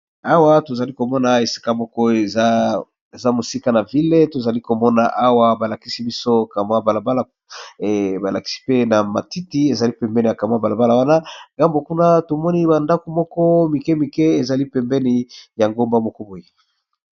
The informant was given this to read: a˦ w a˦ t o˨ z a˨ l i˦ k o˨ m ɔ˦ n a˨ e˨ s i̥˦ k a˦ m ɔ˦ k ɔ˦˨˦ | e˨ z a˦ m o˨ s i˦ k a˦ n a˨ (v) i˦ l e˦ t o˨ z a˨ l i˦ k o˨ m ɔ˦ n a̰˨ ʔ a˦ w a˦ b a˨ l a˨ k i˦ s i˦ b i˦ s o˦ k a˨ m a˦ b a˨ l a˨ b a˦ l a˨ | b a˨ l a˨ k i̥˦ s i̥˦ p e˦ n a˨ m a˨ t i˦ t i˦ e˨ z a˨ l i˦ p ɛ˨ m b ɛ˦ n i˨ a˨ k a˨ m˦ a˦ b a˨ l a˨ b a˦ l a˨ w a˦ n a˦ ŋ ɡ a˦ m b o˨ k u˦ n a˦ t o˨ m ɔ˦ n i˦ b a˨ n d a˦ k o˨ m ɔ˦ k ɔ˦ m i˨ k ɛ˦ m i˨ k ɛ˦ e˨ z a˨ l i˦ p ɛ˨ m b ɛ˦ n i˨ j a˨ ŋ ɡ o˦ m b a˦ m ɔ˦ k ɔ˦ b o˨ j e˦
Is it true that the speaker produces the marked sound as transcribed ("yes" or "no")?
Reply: yes